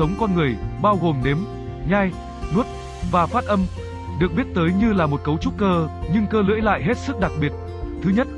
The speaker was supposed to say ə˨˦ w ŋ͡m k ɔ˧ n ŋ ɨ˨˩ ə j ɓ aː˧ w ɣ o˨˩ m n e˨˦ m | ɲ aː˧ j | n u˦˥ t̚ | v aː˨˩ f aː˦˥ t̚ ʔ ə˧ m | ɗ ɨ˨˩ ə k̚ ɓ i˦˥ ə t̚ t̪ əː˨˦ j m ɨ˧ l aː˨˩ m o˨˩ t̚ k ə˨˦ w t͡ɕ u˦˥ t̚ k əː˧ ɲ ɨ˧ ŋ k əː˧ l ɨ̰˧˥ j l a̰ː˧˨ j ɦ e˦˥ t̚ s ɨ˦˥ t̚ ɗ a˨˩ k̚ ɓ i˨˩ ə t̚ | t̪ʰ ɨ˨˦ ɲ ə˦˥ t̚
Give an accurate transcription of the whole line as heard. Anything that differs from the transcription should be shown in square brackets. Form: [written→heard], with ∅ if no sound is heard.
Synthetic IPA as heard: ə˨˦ w ŋ͡m k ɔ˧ n ŋ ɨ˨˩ ə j ɓ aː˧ w ɣ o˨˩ m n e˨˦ m | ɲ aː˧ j | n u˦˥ t̚ | v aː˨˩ f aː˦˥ t̚ ʔ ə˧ m | ɗ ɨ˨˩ ə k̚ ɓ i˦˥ ə t̚ t̪ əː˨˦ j [m→ɲ] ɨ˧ l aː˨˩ m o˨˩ t̚ k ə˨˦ w t͡ɕ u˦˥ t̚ k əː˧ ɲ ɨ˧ ŋ k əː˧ l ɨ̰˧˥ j l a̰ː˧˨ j ɦ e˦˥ t̚ s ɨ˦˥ [t̚→k̚] ɗ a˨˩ k̚ ɓ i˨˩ ə t̚ | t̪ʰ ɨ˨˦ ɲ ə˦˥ t̚